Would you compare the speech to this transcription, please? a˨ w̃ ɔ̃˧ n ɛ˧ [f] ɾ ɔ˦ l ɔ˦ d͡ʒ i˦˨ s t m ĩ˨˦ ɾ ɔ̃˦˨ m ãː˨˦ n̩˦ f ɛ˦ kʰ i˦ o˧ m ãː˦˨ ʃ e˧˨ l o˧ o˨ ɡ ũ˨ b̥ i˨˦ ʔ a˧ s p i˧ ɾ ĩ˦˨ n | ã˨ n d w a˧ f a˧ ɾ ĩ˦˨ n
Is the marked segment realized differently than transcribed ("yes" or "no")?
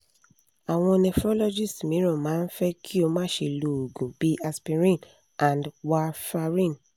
no